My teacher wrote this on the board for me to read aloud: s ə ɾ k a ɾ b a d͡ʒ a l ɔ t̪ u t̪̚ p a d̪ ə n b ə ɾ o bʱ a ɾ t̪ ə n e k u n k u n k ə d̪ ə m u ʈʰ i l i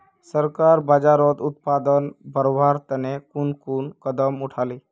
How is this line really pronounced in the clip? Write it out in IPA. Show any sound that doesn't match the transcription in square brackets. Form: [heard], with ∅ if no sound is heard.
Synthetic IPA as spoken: s ə ɾ k a ɾ b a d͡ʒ a [ɾ] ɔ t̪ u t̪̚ p a d̪ ə n b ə ɾ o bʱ a ɾ t̪ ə n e k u n k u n k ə d̪ ə m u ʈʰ [a] l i